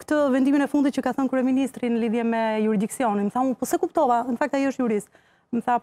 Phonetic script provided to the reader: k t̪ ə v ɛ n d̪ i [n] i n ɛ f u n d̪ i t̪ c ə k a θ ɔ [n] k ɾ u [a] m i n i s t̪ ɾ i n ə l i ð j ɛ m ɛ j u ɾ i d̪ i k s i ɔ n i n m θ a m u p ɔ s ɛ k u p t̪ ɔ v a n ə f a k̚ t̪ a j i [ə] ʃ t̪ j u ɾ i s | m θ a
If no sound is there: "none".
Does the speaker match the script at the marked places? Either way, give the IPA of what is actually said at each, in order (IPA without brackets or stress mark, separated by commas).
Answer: m, n, ɛ, ə